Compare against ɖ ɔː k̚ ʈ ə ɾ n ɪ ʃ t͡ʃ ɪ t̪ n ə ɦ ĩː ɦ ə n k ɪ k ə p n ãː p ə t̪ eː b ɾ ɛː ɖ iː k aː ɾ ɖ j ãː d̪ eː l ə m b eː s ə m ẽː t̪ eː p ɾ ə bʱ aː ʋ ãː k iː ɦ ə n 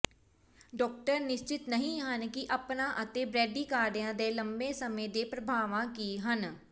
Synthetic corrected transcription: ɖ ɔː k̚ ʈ ə ɾ n ɪ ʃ t͡ʃ ɪ t̪ n ə ɦ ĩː ɦ ə n k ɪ ʔ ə p n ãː ʔ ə t̪ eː b ɾ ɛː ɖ iː k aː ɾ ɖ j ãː d̪ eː l ə m b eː s ə m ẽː d̪ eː p ɾ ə bʱ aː ʋ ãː k iː ɦ ə n